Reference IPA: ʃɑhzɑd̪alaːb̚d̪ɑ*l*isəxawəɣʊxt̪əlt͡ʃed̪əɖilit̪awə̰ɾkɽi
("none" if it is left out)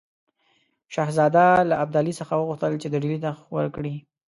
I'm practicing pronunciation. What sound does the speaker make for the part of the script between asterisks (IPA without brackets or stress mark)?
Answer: l